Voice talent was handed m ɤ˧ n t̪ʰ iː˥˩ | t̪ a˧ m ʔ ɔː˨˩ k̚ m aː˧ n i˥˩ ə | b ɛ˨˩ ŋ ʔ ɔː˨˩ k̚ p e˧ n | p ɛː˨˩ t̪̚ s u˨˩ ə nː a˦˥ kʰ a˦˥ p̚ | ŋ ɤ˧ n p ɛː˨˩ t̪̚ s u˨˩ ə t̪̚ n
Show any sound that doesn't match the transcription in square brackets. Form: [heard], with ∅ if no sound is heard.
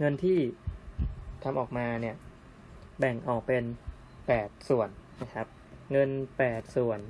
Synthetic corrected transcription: [ŋ] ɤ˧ n t̪ʰ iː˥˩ | [t̪ʰ] a˧ m ʔ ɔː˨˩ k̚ m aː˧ n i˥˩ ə | b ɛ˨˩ ŋ ʔ ɔː˨˩ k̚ p e˧ n | p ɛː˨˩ t̪̚ s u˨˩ ə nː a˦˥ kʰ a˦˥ p̚ | ŋ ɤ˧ n p ɛː˨˩ t̪̚ s u˨˩ ə [∅] n